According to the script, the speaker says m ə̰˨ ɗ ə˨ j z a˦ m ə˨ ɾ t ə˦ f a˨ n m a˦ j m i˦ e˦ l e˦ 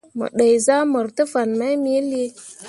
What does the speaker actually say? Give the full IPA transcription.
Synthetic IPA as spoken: m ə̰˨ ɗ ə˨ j z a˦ m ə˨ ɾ t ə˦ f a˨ n m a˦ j m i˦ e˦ l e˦

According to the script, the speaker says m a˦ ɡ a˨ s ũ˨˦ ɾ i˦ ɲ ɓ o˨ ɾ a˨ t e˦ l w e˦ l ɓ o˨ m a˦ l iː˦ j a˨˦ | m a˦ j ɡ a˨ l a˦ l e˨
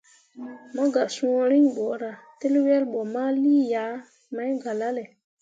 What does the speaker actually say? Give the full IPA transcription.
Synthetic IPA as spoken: m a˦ ɡ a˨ s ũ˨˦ ɾ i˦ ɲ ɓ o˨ ɾ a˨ t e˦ l w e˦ l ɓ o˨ m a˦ l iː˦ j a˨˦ | m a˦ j ɡ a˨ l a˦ l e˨

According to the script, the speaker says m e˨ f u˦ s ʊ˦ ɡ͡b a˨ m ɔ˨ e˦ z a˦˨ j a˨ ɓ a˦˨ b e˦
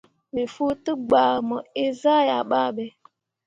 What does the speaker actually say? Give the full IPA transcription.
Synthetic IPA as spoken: m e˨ f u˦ t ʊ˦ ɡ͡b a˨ m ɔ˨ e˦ z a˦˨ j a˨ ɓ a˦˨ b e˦

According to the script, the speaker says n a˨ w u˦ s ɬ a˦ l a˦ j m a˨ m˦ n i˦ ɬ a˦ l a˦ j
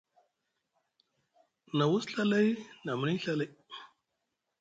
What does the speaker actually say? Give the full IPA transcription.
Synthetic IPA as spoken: n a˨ w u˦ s ɬ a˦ l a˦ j n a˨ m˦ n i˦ ɬ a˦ l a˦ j

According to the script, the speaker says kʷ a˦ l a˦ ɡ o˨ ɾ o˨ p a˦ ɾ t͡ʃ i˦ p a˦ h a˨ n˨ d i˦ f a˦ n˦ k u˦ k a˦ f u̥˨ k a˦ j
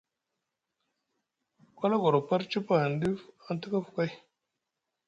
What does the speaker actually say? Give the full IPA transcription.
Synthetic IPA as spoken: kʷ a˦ l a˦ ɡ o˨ ɾ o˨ p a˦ ɾ t͡ʃ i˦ p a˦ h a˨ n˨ d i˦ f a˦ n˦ t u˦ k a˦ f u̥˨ k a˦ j

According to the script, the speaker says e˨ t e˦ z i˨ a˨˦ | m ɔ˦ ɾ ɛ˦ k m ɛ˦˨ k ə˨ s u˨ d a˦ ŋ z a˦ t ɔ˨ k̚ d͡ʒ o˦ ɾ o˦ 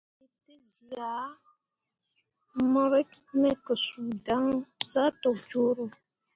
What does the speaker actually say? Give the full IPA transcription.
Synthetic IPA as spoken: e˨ t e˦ z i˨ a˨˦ | m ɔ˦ ɾ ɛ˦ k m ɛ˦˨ k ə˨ s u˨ d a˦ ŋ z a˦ t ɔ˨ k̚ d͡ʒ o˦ ɾ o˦

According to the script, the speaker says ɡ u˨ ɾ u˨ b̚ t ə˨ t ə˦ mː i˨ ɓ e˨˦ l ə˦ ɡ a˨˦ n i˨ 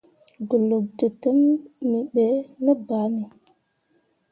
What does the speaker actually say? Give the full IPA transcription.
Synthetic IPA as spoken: ɡ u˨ l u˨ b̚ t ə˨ t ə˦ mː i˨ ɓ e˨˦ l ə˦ b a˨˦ n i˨

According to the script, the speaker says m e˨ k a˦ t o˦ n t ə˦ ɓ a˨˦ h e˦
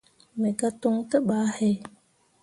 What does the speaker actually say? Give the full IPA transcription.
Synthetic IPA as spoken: m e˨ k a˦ t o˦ ŋ t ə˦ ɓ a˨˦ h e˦

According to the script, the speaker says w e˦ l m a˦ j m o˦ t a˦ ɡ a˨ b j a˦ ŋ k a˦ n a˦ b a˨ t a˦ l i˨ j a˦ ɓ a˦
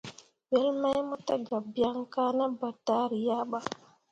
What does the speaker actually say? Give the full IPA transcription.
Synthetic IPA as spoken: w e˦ l m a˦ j m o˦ t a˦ ɡ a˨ b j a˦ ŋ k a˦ n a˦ b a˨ t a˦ ɾ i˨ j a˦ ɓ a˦

